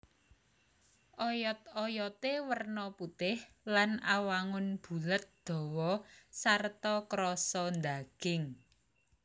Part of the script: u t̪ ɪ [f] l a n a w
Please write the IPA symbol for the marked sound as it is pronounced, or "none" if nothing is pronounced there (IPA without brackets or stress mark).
h